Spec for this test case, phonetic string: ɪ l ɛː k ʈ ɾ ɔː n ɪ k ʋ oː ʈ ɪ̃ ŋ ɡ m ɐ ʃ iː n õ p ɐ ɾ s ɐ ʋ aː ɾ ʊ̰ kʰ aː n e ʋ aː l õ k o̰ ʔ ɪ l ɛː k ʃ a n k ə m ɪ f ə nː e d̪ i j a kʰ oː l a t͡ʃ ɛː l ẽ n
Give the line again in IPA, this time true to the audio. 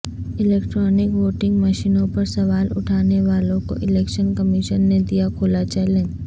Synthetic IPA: ɪ l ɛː k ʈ ɾ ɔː n ɪ k ʋ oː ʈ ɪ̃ ŋ ɡ m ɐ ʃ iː n õ p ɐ ɾ s ɐ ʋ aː l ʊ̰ ʈʰ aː n e ʋ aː l õ k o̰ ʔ ɪ l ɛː k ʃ ə n k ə m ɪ ʃ ə nː e d̪ i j a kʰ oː l a t͡ʃ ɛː l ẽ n